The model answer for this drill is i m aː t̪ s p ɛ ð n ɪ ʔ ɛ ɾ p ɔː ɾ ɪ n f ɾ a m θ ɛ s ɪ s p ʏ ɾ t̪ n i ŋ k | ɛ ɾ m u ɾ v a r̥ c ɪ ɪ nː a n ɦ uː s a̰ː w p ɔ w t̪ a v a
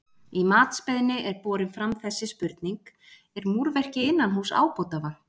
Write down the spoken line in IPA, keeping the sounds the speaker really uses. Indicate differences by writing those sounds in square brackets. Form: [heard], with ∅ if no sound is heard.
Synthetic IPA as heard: i m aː t̪ s p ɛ ð n ɪ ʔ ɛ ɾ p ɔː ɾ ɪ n f ɾ a m θ ɛ [sː] ɪ s p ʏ ɾ t̪ n i ŋ k | ɛ ɾ m u ɾ v [ɛ] r̥ c ɪ ɪ nː a n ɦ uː s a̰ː w p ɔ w t̪ a v a